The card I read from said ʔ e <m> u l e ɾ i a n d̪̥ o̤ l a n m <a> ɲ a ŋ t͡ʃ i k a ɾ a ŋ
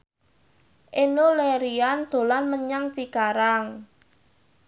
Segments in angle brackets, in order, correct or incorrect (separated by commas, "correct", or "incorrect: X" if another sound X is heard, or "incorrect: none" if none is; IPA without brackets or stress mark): incorrect: n, incorrect: ə